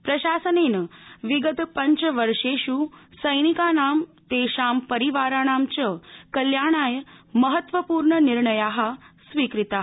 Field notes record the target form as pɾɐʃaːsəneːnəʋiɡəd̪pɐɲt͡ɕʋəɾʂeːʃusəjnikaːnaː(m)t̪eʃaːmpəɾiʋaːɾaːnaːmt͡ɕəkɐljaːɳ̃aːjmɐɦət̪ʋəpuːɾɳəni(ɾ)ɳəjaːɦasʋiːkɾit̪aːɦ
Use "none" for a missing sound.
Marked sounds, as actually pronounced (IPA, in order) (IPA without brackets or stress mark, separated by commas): m, ɾ